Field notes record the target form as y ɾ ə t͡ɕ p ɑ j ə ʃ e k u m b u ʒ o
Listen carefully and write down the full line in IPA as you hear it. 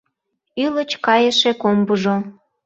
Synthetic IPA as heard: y l ə t͡ɕ k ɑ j ə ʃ e k o m b u ʒ o